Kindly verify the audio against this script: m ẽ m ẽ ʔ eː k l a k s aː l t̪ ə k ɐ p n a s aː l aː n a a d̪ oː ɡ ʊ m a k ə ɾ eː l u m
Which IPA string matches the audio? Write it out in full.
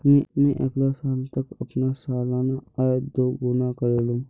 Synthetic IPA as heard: m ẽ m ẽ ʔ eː k l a s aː l t̪ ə k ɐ p n a s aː l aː n a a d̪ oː ɡ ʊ n a k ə ɾ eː l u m